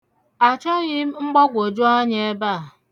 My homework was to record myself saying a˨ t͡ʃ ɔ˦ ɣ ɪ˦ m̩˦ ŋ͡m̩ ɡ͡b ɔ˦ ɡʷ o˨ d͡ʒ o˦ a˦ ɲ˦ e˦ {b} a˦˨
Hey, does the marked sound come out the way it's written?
yes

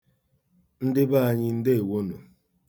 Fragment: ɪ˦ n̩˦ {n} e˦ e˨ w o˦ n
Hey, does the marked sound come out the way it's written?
no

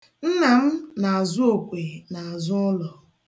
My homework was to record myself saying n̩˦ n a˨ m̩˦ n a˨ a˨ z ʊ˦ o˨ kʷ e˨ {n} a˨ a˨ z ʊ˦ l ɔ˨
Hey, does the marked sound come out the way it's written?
yes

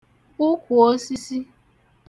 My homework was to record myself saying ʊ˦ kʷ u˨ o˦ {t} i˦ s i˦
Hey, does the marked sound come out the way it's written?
no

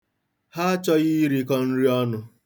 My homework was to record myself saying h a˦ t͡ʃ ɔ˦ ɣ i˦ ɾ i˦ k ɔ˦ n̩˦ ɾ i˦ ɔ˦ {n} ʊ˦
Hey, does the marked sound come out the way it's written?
yes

